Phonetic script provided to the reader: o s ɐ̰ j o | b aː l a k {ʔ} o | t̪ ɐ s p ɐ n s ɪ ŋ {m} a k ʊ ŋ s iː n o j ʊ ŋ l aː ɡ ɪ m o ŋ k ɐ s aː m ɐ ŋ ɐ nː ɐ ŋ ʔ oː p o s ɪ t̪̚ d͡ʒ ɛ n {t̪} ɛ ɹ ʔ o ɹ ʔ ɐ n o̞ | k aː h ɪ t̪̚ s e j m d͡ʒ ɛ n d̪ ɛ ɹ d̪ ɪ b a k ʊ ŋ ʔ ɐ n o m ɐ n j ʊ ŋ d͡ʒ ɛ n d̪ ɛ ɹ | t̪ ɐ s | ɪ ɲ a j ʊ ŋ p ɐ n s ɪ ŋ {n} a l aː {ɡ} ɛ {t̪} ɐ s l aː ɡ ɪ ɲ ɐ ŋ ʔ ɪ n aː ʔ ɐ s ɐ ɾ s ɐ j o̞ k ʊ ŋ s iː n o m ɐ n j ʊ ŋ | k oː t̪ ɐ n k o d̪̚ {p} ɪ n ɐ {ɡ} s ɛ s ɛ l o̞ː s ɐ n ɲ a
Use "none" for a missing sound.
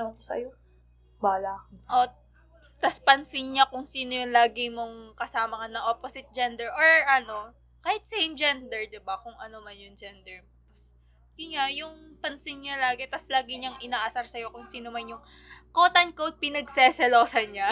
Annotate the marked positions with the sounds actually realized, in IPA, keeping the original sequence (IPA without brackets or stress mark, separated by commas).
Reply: ʔ, ɲ, d̪, ɲ, ɡ, t̪, p, ɡ